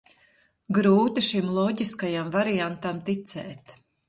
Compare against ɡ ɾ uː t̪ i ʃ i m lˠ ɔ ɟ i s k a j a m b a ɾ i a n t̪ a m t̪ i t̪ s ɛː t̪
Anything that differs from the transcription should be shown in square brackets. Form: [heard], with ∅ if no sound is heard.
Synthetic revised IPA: ɡ ɾ uː t̪ i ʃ i m lˠ ɔ ɟ i s k a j a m [v] a ɾ i a n t̪ a m t̪ i t̪ s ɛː t̪